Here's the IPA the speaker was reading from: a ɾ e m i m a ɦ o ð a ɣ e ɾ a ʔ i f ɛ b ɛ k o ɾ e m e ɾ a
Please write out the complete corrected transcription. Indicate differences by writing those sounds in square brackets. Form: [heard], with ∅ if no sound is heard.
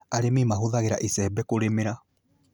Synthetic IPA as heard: a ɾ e m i m a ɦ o ð a ɣ e ɾ a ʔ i [s] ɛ b ɛ k o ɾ e m e ɾ a